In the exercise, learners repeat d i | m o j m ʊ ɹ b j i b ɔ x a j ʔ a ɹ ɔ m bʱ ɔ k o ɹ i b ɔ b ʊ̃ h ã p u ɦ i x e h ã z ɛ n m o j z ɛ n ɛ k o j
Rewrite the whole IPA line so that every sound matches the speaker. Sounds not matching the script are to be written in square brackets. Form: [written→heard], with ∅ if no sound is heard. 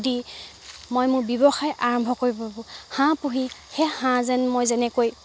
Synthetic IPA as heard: d i | m o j m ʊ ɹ b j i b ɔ x a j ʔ a ɹ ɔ m bʱ ɔ k o ɹ i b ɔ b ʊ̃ h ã p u ɦ i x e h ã z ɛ n m o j z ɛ n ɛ k o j